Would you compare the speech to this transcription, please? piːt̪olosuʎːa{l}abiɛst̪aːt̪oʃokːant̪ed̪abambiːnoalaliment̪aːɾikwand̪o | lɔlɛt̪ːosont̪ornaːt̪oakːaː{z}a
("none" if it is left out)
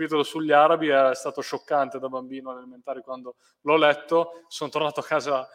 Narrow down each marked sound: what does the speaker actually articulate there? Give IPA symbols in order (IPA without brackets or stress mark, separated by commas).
ɾ, z